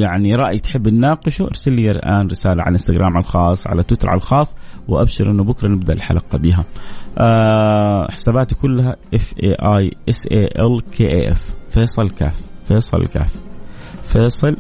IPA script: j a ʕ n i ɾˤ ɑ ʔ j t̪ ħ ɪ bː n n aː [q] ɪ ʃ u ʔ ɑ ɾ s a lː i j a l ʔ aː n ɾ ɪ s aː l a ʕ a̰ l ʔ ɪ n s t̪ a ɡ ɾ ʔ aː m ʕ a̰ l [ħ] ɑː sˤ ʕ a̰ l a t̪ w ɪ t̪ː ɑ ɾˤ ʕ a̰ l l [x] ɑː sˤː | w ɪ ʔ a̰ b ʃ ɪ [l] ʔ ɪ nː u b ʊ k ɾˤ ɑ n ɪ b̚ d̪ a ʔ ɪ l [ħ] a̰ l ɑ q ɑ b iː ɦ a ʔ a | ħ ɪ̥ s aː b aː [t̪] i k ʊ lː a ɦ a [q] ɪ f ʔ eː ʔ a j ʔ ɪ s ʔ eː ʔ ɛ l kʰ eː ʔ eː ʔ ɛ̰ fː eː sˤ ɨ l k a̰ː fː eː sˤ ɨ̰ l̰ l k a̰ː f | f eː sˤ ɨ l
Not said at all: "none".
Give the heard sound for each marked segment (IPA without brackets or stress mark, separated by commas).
q, x, x, ɾ, ħ, t̪, ʔ